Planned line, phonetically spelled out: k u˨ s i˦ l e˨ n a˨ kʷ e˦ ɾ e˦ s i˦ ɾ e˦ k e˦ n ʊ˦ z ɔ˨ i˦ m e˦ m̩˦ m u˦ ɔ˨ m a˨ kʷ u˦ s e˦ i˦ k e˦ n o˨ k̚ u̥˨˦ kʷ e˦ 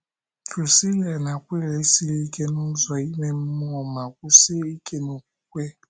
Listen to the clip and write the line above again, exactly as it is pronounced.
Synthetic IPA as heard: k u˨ s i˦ l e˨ n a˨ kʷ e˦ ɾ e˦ s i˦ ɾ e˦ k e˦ n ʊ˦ z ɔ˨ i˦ m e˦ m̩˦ m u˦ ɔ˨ m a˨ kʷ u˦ s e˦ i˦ k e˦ n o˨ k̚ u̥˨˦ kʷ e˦